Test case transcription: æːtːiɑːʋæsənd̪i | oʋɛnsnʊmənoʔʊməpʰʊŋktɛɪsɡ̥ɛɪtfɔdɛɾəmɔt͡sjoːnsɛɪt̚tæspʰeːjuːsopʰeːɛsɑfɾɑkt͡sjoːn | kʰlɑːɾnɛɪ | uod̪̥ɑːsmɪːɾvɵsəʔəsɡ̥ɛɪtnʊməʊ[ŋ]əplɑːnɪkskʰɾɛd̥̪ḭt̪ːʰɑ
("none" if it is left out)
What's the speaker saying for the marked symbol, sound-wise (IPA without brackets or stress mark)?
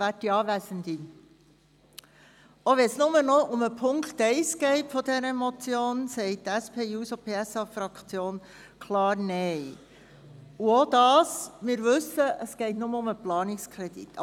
m